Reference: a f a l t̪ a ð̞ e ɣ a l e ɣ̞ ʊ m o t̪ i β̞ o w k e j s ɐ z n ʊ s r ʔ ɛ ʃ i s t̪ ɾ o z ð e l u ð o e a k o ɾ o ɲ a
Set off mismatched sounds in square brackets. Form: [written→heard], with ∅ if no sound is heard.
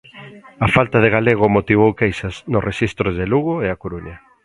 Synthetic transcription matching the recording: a f a l t̪ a ð̞ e ɣ a l e ɣ̞ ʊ m o t̪ i β̞ o w k e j s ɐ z n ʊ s r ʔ [ɛ→e] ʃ i s t̪ ɾ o z ð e l u [ð→ɣ] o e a k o ɾ [o→u] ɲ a